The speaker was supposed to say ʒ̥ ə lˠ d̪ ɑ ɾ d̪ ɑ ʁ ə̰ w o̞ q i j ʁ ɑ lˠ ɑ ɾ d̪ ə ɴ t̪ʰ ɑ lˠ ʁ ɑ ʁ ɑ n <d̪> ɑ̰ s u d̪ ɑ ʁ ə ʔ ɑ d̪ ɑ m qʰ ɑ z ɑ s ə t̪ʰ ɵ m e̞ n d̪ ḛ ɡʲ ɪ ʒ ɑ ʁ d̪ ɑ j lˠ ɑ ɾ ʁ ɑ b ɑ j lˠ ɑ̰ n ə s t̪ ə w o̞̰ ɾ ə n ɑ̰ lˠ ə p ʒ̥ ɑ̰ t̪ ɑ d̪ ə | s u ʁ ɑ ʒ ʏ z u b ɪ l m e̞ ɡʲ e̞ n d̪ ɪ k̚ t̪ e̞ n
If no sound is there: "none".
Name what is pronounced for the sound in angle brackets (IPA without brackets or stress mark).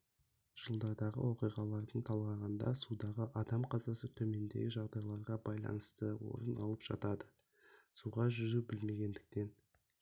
d̪